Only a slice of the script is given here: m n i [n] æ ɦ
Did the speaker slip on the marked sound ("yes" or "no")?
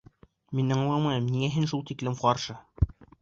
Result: yes